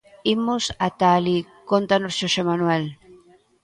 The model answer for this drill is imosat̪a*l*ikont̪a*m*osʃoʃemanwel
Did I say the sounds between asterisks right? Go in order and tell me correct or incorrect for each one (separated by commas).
correct, incorrect